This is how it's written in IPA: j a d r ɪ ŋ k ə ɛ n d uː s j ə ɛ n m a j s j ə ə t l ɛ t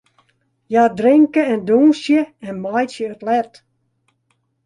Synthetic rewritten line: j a d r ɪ ŋ k ə ɛ n d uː s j ə ɛ n m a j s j ə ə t l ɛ t